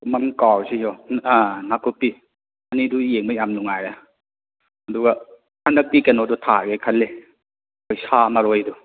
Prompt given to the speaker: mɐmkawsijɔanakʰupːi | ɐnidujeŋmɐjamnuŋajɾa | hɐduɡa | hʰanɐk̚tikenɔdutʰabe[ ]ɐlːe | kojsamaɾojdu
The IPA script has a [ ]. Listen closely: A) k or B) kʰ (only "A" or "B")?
B